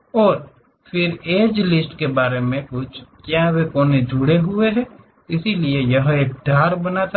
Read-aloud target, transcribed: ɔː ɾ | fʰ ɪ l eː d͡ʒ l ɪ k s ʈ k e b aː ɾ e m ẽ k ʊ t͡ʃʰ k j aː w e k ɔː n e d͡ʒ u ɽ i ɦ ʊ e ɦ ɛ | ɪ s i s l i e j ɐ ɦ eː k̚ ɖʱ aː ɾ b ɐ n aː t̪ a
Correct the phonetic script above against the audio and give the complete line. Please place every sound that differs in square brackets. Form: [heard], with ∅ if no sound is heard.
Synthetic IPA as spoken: ɔː ɾ | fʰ ɪ [ɾ] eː d͡ʒ l ɪ [∅] s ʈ k e b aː ɾ e m ẽ k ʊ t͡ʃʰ k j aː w e k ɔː n e d͡ʒ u ɽ [e] ɦ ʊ e ɦ ɛ | ɪ s i [∅] l i e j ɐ ɦ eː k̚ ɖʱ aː ɾ b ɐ n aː t̪ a